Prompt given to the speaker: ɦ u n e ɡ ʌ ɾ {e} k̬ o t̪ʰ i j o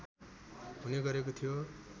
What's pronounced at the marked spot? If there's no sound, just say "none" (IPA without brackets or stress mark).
e